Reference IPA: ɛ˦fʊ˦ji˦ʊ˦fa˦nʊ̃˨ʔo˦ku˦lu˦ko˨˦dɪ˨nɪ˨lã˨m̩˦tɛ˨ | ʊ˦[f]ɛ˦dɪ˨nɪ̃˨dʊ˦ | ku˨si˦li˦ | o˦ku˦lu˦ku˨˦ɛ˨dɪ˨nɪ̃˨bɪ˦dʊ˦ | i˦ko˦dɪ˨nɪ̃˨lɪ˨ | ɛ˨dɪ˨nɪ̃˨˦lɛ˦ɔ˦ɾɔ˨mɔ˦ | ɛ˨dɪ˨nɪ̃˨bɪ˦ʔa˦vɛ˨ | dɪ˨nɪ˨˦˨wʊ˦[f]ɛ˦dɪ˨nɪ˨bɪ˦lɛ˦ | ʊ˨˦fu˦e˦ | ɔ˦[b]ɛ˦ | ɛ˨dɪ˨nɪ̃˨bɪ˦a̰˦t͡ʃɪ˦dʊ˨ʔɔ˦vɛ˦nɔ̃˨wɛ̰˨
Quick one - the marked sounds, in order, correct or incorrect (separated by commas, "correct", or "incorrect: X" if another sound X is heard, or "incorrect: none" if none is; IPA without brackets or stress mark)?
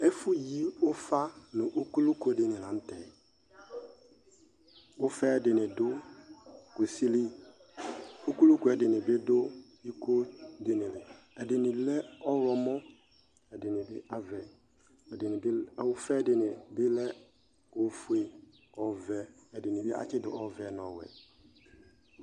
correct, correct, incorrect: v